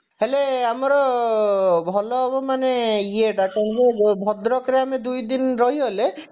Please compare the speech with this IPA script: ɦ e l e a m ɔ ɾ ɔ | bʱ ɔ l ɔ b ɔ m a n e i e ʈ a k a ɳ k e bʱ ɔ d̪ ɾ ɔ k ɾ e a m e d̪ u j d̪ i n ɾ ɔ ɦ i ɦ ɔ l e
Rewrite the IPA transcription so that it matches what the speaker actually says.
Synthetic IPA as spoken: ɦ e l e a m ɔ ɾ ɔ | bʱ ɔ l ɔ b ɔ m a n e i e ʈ a k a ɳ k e bʱ ɔ d̪ ɾ ɔ k ɾ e a m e d̪ u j d̪ i n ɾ ɔ ɦ i ɦ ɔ l e